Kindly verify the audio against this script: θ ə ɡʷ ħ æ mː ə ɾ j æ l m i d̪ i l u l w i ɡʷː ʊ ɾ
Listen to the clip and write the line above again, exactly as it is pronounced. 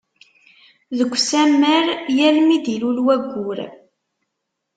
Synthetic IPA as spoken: ð ə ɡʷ s æ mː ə ɾ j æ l m i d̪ i l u l w æ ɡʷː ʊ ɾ